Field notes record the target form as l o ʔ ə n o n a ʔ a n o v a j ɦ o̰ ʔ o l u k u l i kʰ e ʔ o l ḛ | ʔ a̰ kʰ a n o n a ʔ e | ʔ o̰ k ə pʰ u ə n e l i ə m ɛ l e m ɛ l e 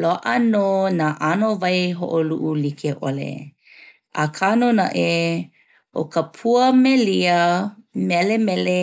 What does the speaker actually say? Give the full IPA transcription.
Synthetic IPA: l o ʔ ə n o n a ʔ a n o v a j ɦ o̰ ʔ o l u ʔ u l i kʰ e ʔ o l ḛ | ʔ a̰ kʰ a n o n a ʔ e | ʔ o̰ k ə pʰ u ə m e l i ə m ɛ l e m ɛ l e